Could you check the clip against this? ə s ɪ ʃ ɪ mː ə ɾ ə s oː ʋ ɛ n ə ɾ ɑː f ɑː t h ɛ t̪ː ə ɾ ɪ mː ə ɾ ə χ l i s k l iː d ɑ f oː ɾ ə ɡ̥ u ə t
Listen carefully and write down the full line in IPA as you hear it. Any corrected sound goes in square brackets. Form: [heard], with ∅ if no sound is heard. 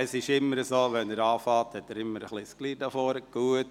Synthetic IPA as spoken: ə s ɪ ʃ ɪ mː ə ɾ ə s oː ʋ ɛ n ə ɾ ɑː f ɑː t h ɛ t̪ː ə ɾ ɪ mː ə ɾ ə χ l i s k l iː d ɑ f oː ɾ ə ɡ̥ u ə t